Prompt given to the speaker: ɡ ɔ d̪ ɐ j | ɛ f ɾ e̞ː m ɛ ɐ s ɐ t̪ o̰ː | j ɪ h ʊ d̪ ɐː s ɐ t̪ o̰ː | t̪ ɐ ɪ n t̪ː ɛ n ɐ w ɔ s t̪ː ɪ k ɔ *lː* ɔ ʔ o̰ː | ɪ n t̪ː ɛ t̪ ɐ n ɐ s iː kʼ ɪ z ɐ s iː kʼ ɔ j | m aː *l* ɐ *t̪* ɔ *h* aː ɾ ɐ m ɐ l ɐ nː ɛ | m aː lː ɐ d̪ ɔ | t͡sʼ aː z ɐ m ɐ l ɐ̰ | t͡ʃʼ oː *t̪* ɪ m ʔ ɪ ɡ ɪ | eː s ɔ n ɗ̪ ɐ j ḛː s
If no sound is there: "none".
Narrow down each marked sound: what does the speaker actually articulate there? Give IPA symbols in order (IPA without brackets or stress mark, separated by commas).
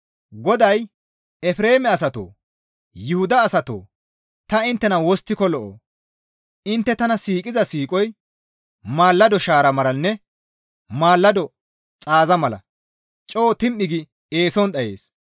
l, lː, d̪, ʃ, t̪